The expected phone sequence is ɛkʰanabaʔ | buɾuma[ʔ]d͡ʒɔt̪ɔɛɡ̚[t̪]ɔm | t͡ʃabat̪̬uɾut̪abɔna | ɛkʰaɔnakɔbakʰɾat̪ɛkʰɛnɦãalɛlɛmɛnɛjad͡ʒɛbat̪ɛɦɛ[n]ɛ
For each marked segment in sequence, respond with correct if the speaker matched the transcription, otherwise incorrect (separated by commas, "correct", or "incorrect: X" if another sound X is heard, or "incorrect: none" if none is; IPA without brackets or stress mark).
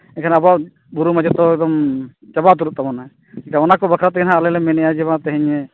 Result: incorrect: none, incorrect: d̪, incorrect: ɲ